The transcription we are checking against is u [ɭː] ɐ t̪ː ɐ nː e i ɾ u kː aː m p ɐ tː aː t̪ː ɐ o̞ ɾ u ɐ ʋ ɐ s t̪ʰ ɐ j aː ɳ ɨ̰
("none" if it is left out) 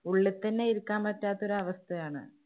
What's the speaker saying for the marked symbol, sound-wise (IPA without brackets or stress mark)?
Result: ɭː